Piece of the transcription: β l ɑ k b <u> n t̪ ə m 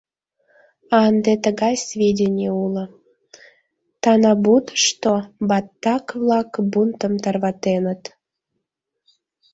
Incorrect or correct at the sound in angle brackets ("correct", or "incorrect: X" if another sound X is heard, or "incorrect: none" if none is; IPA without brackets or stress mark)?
correct